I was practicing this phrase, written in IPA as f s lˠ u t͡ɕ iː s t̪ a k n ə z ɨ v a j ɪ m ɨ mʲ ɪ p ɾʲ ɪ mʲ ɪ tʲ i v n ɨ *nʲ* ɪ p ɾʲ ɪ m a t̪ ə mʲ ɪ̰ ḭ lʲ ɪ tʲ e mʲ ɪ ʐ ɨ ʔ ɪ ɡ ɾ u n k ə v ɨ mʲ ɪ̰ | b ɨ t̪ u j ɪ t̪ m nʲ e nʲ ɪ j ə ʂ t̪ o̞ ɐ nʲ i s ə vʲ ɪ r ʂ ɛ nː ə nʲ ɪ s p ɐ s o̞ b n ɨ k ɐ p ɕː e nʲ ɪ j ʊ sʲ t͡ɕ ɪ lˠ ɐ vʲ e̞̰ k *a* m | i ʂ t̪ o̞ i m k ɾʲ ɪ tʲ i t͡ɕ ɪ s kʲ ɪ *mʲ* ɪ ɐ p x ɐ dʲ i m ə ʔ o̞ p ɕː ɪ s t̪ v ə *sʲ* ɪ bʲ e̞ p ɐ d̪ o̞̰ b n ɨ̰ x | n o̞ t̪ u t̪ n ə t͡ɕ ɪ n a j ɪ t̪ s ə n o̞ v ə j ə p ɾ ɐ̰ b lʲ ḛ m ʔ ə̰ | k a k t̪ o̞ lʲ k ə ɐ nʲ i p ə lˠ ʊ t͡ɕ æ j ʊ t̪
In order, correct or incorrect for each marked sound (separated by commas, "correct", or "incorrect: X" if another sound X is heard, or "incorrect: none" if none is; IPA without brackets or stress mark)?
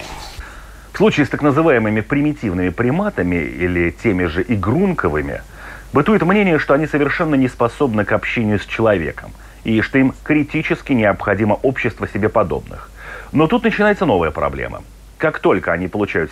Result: incorrect: mʲ, incorrect: ə, incorrect: nʲ, correct